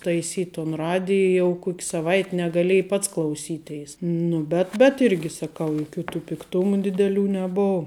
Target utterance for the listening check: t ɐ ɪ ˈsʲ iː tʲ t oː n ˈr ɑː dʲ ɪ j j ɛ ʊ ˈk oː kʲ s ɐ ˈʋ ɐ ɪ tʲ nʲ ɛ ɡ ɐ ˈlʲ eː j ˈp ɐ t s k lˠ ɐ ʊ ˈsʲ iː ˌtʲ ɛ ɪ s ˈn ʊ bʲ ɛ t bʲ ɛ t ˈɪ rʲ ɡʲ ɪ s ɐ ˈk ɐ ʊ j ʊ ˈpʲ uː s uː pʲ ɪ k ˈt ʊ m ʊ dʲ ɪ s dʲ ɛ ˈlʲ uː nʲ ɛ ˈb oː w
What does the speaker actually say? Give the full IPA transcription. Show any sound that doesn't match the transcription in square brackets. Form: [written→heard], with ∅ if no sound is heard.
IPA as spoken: t ɐ ɪ ˈsʲ iː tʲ t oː n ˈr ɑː dʲ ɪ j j ɛ ʊ ˈk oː kʲ s ɐ ˈʋ ɐ ɪ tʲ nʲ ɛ ɡ ɐ ˈlʲ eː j ˈp ɐ t s k lˠ ɐ ʊ ˈsʲ iː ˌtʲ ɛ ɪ s ˈn ʊ bʲ ɛ t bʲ ɛ t ˈɪ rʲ ɡʲ ɪ s ɐ ˈk ɐ ʊ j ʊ [ˈpʲ→ˈkʲ] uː [s→t] uː pʲ ɪ k ˈt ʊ m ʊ dʲ ɪ [s→∅] dʲ ɛ ˈlʲ uː nʲ ɛ ˈb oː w

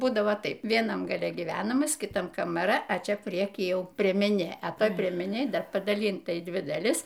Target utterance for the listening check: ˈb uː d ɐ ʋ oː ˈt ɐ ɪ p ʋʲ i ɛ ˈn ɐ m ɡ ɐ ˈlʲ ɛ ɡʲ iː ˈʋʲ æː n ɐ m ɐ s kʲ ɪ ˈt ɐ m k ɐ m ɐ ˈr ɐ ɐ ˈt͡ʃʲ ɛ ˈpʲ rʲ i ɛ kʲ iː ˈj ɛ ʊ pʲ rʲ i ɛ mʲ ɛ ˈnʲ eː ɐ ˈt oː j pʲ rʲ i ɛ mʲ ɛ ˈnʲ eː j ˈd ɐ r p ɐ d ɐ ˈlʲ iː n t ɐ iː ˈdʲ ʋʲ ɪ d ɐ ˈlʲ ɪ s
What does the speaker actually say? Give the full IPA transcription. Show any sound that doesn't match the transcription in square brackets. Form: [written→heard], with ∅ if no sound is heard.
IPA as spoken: ˈb uː d ɐ ʋ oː ˈt ɐ ɪ p ʋʲ i ɛ ˈn ɐ m ɡ ɐ ˈlʲ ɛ ɡʲ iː ˈʋʲ æː n ɐ m ɐ s kʲ ɪ ˈt ɐ m k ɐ m ɐ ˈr ɐ ɐ ˈt͡ʃʲ ɛ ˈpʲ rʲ i ɛ kʲ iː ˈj ɛ ʊ pʲ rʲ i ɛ mʲ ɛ ˈnʲ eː ɐ ˈt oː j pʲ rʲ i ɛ mʲ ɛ ˈnʲ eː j ˈd ɐ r p ɐ d ɐ ˈlʲ iː n t ɐ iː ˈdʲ ʋʲ ɪ d ɐ ˈlʲ ɪ s

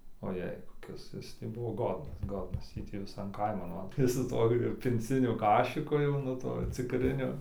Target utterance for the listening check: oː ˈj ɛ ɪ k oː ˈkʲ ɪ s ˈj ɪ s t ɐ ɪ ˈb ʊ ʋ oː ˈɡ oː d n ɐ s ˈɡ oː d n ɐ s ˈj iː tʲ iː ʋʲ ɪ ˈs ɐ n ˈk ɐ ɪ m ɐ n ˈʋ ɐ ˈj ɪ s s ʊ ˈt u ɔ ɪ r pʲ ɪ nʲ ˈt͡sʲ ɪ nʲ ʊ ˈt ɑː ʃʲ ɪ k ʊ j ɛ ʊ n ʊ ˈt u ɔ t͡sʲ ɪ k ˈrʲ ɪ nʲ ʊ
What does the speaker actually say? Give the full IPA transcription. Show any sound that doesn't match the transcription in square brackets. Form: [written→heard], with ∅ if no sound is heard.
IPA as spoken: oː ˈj ɛ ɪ k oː ˈkʲ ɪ s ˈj ɪ s t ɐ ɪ ˈb ʊ ʋ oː ˈɡ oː d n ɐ s ˈɡ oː d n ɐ s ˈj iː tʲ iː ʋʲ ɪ ˈs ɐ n ˈk ɐ ɪ m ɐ n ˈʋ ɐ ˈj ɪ s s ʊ ˈt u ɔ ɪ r pʲ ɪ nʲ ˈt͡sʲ ɪ nʲ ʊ [ˈt→ˈk] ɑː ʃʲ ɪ k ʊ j ɛ ʊ n ʊ ˈt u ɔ t͡sʲ ɪ k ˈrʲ ɪ nʲ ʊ

